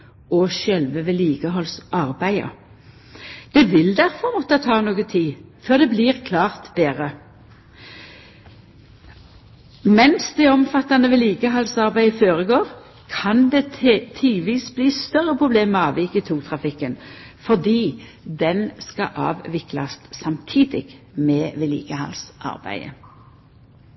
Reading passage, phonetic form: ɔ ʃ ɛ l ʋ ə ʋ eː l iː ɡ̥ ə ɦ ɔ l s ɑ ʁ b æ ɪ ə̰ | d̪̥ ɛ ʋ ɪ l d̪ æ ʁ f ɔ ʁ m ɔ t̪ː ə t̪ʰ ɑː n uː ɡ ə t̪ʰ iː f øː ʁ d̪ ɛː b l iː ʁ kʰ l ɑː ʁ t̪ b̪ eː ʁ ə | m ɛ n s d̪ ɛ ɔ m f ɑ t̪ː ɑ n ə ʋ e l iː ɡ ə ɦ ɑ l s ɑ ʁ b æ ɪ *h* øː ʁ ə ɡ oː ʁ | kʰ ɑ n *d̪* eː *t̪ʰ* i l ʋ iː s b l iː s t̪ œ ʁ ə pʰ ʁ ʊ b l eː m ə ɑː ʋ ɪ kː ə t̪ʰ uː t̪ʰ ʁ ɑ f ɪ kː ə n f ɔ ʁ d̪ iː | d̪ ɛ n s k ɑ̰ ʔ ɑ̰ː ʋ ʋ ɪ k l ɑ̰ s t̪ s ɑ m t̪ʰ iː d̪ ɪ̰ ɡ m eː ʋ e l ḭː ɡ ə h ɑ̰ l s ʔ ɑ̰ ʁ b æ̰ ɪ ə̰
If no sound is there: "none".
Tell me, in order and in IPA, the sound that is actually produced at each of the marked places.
f, d̪, t̪ʰ

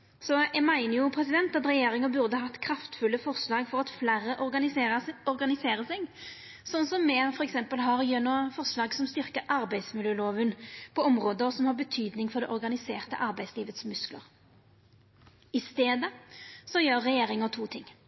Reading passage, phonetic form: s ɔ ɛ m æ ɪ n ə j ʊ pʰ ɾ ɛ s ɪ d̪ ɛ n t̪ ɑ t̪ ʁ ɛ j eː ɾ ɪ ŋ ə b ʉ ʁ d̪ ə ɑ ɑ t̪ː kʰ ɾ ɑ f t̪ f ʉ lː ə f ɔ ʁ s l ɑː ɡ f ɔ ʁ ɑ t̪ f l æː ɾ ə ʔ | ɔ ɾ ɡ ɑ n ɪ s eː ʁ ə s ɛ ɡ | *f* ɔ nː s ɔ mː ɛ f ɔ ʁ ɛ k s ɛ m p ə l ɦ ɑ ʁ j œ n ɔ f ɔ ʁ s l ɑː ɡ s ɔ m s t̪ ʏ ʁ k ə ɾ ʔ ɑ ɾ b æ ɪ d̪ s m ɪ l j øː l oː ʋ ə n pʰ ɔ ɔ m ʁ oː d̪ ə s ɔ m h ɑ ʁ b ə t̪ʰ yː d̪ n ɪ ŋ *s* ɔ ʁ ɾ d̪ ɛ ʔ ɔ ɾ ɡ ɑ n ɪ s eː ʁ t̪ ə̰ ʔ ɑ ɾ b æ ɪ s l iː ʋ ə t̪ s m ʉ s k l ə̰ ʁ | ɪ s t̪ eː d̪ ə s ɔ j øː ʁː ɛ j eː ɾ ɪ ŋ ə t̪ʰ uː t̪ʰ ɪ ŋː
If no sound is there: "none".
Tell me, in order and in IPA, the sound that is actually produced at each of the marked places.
s, f

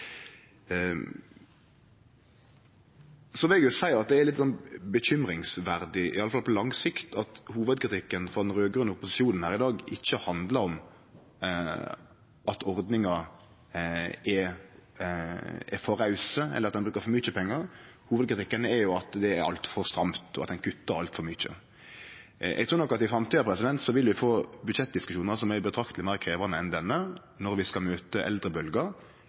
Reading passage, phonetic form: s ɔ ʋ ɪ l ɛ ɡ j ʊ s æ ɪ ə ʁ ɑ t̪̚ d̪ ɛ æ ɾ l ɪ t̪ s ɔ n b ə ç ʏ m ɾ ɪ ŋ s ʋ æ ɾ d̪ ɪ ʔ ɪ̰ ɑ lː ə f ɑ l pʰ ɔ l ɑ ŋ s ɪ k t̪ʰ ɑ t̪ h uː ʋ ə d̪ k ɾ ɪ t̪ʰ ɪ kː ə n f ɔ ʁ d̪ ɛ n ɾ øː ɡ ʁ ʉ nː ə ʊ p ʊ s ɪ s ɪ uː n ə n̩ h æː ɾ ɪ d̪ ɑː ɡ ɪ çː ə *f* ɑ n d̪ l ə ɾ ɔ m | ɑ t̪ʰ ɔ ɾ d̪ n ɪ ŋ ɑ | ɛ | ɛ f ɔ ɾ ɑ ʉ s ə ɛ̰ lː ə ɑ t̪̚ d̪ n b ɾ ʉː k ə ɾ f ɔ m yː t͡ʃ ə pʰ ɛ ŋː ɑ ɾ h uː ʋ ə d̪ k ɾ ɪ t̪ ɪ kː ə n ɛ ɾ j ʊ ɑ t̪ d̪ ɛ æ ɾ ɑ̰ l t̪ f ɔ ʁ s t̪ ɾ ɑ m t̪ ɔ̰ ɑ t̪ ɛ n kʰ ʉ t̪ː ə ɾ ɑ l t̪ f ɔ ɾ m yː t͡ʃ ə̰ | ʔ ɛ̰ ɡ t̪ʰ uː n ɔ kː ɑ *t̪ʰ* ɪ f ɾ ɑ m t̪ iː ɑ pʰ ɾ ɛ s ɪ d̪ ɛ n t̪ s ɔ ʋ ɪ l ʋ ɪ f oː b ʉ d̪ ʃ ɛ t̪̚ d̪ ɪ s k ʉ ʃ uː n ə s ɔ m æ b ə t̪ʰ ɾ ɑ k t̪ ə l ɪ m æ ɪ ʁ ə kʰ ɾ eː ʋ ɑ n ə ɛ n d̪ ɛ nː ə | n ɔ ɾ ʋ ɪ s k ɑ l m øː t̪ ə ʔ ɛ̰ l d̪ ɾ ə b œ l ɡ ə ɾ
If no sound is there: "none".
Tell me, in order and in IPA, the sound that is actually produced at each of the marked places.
h, t̪

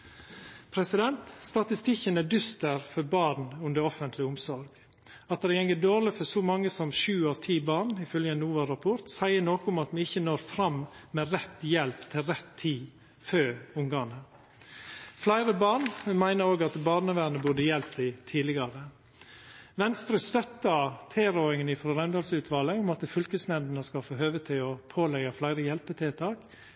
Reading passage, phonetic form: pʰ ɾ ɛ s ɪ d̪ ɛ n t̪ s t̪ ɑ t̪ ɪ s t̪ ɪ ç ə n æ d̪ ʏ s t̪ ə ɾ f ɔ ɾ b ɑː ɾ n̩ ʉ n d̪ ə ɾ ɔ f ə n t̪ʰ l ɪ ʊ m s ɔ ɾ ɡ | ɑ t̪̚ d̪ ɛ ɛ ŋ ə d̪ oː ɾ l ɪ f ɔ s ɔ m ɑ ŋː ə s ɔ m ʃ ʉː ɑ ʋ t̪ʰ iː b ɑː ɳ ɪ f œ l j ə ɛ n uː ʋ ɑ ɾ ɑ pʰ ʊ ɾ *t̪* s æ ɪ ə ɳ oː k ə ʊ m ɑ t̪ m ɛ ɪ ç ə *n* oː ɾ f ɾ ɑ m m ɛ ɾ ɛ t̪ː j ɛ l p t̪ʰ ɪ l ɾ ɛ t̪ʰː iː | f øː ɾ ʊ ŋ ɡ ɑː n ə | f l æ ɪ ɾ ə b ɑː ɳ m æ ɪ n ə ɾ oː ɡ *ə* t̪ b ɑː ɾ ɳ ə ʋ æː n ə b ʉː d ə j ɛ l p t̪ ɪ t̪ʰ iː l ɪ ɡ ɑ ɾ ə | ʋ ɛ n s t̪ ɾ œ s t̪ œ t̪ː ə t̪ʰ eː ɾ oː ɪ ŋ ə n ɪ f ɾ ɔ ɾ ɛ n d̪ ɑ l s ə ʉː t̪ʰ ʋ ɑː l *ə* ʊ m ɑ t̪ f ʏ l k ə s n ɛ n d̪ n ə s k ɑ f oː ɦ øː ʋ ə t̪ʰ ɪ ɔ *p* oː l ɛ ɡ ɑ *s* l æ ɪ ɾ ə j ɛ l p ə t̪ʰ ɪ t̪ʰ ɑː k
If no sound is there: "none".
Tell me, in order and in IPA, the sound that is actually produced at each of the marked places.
t̪, n, ɑ, ə, pʰ, f

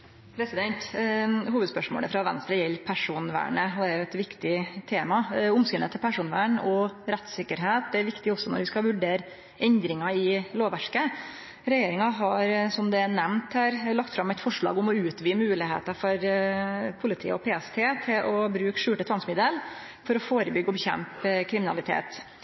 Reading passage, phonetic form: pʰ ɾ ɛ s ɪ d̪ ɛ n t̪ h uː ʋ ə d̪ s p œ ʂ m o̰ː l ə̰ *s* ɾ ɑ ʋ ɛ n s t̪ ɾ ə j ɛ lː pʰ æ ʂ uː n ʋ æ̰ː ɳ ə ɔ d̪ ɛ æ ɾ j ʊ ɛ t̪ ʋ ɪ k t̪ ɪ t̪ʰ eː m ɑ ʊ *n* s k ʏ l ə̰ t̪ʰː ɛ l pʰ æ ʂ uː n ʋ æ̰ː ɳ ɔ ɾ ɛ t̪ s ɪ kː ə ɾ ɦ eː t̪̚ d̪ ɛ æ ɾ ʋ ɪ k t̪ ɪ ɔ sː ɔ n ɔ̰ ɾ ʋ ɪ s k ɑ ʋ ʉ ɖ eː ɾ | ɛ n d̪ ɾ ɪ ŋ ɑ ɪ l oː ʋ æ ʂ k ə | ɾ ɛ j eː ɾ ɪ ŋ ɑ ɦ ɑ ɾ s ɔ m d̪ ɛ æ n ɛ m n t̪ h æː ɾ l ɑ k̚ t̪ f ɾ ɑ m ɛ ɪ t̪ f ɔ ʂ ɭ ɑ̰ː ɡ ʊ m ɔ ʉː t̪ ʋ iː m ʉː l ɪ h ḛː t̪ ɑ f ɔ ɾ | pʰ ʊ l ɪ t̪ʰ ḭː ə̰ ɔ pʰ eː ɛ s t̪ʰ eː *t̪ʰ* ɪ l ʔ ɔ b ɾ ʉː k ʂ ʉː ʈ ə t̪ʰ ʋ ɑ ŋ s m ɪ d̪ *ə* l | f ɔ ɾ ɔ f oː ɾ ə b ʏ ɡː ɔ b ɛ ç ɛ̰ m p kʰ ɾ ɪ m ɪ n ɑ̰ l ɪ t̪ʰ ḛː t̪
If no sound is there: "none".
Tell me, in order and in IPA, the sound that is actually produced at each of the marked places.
f, m, t̪ʰ, ə

